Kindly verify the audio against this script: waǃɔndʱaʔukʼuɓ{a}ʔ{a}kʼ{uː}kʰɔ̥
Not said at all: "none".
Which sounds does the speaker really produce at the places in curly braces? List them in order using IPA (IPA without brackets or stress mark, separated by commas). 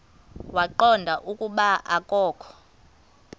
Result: a, a, ɔː